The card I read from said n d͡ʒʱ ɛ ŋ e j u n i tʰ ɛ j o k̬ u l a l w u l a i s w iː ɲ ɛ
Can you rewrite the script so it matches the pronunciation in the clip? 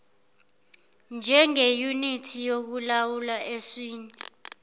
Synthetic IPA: n d͡ʒʱ ɛ ŋ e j u n i tʰ i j o k̬ u l a w u l a e s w iː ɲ ɛ

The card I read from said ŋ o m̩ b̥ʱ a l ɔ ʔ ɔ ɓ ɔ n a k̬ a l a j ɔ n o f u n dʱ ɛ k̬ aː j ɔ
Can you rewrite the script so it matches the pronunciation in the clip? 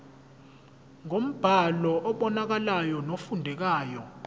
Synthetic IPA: ŋ o m̩ b̥ʱ a l ɔ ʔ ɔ ɓ ɔ n a k̬ a l a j ɔ n o f u n dʱ ɛ k̬ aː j ɔ

